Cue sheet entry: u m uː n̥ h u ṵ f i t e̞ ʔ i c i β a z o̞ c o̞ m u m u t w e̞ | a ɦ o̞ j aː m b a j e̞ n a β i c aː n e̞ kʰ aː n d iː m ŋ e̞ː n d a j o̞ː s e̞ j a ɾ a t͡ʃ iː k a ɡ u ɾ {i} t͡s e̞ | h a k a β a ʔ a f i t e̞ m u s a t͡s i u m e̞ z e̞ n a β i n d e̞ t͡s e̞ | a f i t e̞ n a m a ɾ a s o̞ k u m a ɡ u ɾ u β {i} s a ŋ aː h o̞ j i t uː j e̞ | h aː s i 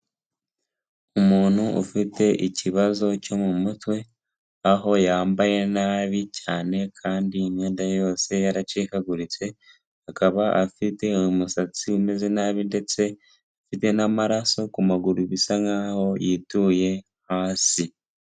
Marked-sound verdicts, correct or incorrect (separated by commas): correct, correct